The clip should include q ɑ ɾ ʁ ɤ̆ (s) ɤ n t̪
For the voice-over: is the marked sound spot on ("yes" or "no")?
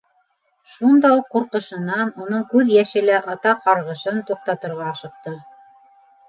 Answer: no